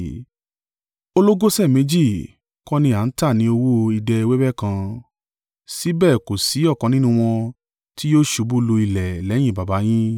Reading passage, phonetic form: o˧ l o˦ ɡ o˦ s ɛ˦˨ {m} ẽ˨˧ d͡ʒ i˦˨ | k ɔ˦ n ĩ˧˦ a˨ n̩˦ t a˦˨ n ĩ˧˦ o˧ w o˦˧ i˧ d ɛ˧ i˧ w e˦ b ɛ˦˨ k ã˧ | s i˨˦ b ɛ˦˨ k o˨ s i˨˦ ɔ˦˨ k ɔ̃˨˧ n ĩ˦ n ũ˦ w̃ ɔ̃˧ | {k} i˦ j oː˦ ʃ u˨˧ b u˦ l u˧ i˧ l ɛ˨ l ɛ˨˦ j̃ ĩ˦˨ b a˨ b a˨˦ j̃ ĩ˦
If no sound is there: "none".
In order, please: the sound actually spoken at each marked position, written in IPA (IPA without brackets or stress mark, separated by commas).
m, t